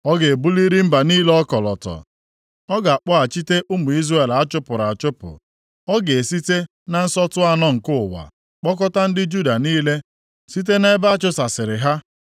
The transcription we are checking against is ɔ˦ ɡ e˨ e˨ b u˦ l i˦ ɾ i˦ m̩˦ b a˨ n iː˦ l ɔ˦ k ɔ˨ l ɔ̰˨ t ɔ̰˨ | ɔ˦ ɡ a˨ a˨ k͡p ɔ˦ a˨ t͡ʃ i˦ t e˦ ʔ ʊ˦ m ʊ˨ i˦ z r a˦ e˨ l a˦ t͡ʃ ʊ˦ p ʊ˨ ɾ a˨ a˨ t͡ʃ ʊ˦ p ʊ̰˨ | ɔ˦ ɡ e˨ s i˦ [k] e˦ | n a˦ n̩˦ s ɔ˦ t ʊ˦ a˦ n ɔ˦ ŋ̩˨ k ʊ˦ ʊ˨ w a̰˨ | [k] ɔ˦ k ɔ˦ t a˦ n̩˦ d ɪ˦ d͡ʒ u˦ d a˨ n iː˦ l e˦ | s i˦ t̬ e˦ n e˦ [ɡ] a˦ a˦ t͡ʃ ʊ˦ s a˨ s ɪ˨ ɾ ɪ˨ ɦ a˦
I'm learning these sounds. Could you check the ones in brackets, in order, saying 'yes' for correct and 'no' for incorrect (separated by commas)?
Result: no, no, no